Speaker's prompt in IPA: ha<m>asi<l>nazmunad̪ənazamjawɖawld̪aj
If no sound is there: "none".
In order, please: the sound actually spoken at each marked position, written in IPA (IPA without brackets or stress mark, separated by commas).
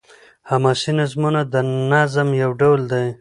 m, none